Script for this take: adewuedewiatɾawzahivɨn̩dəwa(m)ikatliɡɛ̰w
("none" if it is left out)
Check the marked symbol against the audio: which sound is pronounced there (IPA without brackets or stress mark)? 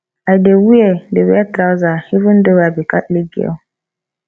b